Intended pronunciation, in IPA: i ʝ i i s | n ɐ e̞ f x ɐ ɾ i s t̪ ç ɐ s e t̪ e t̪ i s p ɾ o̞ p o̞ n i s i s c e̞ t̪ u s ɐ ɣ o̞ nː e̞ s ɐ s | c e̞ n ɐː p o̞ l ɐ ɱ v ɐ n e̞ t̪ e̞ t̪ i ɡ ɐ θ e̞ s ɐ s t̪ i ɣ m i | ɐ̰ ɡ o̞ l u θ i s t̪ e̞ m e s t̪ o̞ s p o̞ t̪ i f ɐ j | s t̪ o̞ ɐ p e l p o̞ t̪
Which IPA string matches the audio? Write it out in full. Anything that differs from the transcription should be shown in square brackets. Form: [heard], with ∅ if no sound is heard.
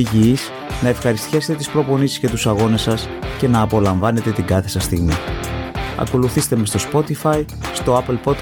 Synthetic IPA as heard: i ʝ i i s | n ɐ e̞ f x ɐ ɾ i s t̪ ç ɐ s e t̪ e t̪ i s p ɾ o̞ p o̞ n i s i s c e̞ t̪ u s ɐ ɣ o̞ [n] e̞ s ɐ s | c e̞ n ɐː p o̞ l ɐ ɱ v ɐ n e̞ t̪ e̞ t̪ i ɡ ɐ θ e̞ s ɐ s t̪ i ɣ m i | ɐ̰ [k] o̞ l u θ i s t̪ e̞ m e s t̪ o̞ s p o̞ t̪ i f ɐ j | s t̪ o̞ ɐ p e l p o̞ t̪